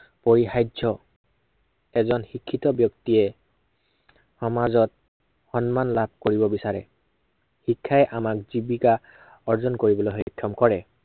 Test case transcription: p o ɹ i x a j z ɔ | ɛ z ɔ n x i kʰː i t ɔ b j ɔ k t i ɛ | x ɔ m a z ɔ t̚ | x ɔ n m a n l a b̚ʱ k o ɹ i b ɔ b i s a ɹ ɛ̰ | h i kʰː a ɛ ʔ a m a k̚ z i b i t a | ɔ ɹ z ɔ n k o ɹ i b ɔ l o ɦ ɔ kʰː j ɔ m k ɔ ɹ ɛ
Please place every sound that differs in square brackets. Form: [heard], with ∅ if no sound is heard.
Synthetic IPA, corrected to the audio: p o ɹ i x a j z ɔ | ɛ z ɔ n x i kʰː i t ɔ b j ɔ k t i ɛ | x ɔ m a z ɔ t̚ | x ɔ n m a n l a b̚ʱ k o ɹ i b ɔ b i s a ɹ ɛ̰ | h i kʰː a ɛ ʔ a m a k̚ z i b i [k] a | ɔ ɹ z ɔ n k o ɹ i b ɔ l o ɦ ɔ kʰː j ɔ m k ɔ ɹ ɛ